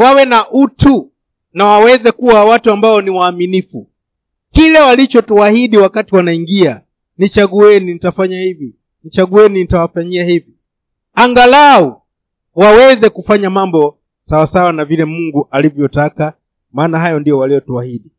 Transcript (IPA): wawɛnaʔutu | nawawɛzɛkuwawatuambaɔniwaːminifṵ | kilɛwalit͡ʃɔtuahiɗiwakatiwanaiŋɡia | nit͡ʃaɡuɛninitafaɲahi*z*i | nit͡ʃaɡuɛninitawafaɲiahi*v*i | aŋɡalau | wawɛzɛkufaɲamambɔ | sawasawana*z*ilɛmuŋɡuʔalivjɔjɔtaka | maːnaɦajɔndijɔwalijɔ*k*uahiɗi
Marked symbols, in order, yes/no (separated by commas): no, yes, no, no